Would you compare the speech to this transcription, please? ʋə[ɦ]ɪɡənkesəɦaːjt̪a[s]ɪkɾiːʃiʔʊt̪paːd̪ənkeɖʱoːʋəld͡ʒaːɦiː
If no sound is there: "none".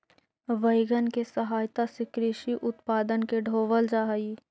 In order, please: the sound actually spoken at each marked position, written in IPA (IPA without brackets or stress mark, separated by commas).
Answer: none, s